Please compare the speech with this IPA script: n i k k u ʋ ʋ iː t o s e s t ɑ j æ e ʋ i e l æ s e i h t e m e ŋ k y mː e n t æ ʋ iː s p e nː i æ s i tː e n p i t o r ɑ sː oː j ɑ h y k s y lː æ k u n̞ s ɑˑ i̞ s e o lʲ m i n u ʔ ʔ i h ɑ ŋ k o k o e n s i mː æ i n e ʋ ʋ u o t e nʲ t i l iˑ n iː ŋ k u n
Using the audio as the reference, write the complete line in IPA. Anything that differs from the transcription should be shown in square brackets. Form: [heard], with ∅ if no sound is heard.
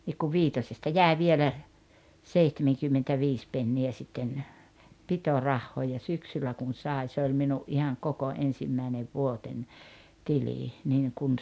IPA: n i k k u ʋ ʋ iː t o s e s t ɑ j æ e ʋ i e l æ s e i h t e m e ŋ k y mː e n t æ ʋ iː s p e nː i æ s i tː e n p i t o r ɑ [hː] oː j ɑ [s] y k s y lː æ k u n̞ s ɑˑ i̞ s e o lʲ m i n u ʔ ʔ i h ɑ ŋ k o k o e n s i mː æ i n e ʋ ʋ u o t e nʲ t i l iˑ n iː ŋ k u n